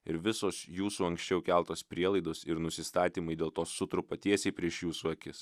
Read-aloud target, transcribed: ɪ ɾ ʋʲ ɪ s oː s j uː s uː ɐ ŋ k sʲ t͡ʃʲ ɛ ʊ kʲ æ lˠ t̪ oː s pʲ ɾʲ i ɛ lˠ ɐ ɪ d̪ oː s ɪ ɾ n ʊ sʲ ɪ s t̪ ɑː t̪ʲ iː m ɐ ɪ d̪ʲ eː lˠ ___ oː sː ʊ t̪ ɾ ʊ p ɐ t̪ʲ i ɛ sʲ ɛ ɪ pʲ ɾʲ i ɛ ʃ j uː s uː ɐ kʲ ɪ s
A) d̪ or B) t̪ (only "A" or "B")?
B